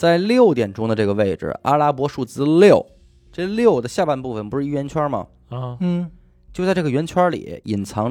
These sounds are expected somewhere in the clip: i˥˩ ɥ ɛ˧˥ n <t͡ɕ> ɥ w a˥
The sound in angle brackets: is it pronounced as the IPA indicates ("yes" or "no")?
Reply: no